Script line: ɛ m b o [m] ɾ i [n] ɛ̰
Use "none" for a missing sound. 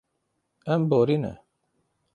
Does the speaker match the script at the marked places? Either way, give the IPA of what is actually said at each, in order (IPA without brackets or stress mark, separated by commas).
none, n